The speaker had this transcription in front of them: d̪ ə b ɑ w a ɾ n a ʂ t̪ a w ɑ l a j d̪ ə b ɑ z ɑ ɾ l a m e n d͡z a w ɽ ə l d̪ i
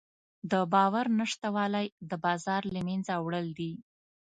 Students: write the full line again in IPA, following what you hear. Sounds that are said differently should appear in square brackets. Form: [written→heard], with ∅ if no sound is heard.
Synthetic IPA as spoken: d̪ ə b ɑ w a ɾ n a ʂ t̪ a w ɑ l a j d̪ ə b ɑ z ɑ ɾ l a m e n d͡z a w ɽ ə l d̪ i